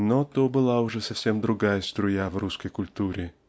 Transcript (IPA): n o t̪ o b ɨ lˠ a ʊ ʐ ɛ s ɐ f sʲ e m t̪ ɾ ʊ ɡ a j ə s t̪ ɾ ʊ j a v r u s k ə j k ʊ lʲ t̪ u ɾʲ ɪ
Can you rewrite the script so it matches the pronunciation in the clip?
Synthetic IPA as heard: n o t̪ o b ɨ lˠ a ʊ ʐ ɛ s ɐ f sʲ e m d̪ ɾ ʊ ɡ a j ə s t̪ ɾ ʊ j a v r u s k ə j k ʊ lʲ t̪ u ɾʲ ɪ